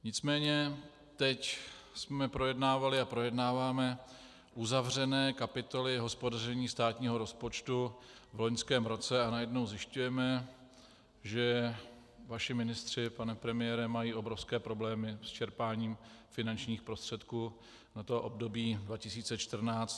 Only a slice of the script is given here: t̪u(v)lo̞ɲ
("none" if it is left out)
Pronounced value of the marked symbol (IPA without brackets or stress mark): v